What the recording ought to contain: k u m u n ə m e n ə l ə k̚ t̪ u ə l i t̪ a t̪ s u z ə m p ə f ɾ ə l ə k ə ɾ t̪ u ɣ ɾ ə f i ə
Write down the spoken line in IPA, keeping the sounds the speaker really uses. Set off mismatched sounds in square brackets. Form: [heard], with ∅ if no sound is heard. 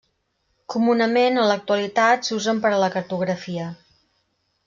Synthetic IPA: k u m u n ə m e n ə l ə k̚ t̪ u ə l i t̪ a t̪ s u z ə m p ə [∅] ɾ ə l ə k ə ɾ t̪ u ɣ ɾ ə f i ə